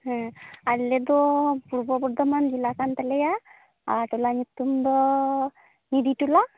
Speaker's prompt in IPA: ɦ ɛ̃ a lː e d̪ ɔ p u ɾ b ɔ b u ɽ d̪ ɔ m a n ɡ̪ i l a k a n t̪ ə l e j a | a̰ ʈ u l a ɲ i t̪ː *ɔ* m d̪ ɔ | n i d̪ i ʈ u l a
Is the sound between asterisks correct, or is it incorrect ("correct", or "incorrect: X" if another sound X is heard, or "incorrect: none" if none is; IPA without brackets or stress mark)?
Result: incorrect: u